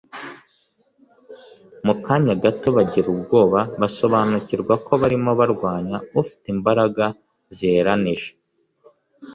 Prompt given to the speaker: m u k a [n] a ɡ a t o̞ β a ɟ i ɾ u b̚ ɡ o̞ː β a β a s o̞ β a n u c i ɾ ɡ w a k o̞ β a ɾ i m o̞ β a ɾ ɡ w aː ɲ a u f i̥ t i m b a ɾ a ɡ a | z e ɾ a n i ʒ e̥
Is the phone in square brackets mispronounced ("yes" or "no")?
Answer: yes